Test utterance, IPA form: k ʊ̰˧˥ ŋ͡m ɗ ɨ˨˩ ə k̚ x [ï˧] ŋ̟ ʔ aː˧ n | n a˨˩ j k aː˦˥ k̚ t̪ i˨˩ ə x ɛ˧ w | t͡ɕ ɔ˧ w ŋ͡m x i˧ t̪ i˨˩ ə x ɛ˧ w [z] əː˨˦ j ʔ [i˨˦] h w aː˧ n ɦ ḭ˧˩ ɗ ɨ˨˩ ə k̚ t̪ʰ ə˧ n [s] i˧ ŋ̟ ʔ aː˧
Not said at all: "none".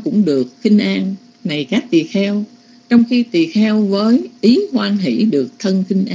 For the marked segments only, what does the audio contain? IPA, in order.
ï˧, v, i˨˦, x

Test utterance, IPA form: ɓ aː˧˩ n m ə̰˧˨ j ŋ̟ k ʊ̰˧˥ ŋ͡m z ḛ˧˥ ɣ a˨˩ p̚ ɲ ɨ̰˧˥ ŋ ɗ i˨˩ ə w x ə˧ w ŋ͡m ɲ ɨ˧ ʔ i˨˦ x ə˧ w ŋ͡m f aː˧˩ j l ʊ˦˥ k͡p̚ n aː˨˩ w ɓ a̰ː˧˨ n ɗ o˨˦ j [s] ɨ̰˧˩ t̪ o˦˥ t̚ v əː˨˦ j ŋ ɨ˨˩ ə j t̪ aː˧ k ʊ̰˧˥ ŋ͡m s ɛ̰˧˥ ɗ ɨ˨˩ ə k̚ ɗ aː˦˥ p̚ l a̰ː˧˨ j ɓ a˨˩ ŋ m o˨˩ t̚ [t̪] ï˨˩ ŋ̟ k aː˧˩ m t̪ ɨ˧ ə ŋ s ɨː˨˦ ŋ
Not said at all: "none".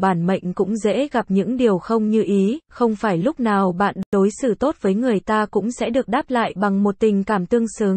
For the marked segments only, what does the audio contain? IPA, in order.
s, t̪

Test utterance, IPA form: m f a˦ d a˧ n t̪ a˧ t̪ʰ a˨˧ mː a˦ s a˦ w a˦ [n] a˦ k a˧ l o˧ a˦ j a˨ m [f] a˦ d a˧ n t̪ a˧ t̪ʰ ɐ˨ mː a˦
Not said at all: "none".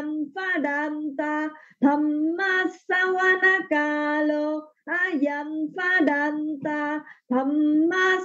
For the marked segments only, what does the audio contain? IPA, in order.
n, f

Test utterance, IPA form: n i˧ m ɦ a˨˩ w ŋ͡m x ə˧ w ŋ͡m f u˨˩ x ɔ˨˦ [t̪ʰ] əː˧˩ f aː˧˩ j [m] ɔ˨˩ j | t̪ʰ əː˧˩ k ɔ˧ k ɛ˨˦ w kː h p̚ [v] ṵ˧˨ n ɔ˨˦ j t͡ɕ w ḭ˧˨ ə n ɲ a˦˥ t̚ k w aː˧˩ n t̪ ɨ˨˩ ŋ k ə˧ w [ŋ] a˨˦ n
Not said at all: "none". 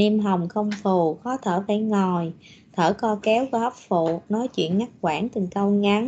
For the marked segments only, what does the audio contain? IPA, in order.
t̪ʰ, ŋ, f, ŋ

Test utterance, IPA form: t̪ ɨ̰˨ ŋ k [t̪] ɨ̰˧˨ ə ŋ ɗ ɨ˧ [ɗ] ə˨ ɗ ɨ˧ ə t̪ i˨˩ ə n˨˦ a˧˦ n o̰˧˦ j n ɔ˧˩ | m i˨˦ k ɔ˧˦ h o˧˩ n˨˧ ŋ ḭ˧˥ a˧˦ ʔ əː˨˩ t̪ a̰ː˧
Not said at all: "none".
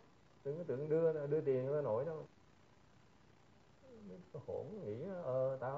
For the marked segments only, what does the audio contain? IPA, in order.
t̪, none

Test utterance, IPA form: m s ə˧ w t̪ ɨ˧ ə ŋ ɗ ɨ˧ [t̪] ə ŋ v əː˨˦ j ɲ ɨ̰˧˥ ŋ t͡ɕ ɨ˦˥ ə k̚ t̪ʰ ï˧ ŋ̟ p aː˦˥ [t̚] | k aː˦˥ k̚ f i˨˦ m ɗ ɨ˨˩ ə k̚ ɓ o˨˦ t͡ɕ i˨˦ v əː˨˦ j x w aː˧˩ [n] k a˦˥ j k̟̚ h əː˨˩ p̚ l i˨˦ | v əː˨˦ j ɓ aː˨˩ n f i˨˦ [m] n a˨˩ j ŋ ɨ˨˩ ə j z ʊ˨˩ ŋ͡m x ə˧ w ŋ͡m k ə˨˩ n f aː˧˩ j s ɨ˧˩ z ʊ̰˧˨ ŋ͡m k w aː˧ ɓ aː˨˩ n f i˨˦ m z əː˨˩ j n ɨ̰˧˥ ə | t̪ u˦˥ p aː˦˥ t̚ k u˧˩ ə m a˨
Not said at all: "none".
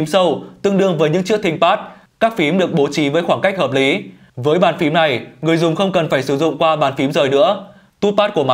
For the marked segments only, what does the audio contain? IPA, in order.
none, t̚, ŋ, m

